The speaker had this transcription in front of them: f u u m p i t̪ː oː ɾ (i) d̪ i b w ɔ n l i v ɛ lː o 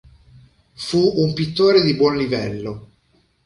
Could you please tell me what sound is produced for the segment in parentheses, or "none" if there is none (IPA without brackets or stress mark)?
e